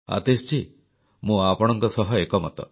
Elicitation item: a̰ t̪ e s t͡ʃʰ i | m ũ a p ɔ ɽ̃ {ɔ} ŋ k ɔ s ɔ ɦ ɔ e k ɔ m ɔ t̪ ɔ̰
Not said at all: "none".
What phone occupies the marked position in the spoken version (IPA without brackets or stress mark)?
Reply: ɔ